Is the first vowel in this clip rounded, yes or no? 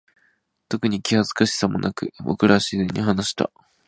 yes